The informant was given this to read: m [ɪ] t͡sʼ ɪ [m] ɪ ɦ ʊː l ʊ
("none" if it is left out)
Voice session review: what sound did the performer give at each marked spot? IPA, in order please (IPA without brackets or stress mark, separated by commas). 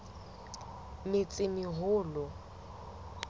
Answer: ɪ, m